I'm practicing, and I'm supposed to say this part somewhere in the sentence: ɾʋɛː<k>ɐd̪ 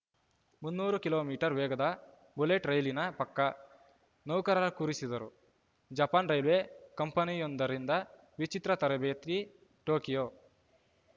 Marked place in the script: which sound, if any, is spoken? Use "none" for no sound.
ɡ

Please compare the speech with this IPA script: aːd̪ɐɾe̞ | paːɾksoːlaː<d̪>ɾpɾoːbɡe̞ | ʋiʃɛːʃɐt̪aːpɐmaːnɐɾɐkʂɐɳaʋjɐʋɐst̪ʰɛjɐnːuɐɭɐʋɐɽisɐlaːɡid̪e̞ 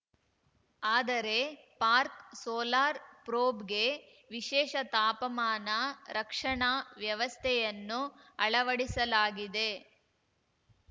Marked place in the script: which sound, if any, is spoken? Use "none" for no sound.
none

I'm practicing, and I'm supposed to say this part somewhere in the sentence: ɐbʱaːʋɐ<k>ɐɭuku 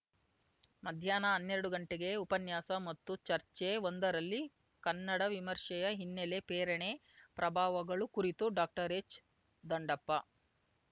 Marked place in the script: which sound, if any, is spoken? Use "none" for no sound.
ɡ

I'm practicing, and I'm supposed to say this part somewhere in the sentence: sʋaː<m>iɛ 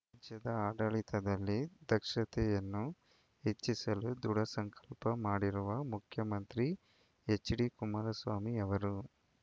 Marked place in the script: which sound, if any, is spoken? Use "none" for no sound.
m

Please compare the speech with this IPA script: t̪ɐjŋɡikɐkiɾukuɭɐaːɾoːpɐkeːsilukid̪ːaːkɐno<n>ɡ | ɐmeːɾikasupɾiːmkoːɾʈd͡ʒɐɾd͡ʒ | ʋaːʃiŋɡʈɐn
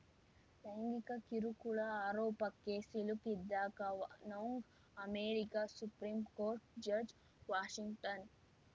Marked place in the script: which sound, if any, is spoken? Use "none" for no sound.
ŋ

